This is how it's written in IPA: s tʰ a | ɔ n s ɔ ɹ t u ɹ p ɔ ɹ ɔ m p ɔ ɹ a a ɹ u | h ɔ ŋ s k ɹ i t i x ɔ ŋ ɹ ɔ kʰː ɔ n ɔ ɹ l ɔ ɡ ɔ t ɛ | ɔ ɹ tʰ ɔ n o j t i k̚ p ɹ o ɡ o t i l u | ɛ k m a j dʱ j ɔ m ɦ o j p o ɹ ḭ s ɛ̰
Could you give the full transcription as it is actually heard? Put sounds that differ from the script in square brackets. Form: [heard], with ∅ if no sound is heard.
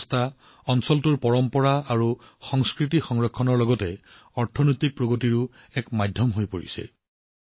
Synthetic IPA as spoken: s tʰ a | ɔ n s ɔ [l] t u ɹ p ɔ ɹ ɔ m p ɔ ɹ a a ɹ u | [x] ɔ ŋ s k ɹ i t i x ɔ ŋ ɹ ɔ kʰː ɔ n ɔ ɹ l ɔ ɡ ɔ t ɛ | ɔ ɹ tʰ ɔ n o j t i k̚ p ɹ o ɡ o t i [ɹ] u | ɛ k m a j dʱ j ɔ m ɦ o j p o ɹ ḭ s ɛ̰